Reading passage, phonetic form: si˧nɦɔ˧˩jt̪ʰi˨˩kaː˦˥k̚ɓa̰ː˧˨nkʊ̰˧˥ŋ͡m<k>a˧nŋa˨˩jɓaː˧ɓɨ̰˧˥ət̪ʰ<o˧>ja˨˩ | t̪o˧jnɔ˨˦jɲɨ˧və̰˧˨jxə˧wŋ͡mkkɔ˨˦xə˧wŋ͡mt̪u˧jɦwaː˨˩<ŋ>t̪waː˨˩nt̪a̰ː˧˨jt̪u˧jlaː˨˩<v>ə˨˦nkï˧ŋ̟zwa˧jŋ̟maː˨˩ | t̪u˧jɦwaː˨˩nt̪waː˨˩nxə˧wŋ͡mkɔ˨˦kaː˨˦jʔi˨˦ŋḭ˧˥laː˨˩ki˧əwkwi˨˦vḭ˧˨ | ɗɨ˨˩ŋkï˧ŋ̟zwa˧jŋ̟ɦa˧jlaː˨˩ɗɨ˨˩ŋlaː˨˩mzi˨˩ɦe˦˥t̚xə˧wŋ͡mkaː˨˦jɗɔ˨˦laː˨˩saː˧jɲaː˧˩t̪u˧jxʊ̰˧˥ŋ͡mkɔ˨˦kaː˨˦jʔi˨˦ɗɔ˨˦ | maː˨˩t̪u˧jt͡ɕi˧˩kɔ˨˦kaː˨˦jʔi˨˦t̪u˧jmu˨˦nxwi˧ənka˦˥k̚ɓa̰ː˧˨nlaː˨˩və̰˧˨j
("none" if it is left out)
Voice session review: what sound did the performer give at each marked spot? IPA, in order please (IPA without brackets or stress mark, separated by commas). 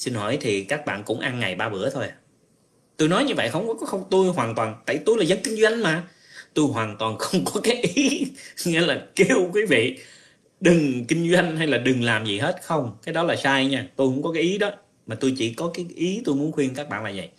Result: ʔ, o˧, n, z